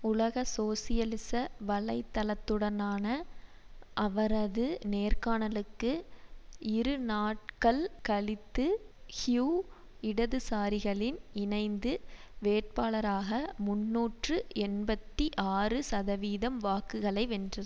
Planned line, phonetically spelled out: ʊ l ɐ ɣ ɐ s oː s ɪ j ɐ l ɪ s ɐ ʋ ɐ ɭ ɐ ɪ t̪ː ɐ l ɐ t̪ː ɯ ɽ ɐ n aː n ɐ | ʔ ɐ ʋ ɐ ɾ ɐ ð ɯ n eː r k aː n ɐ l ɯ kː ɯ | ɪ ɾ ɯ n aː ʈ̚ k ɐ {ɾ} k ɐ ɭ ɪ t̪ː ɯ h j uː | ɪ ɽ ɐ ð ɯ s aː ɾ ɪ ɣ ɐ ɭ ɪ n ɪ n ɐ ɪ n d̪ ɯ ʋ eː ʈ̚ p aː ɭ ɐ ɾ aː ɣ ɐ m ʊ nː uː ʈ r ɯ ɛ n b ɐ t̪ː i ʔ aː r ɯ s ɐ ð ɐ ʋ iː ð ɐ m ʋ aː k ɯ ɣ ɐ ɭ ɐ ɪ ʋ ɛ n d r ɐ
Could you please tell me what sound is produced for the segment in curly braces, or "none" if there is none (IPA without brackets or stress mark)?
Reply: ɭ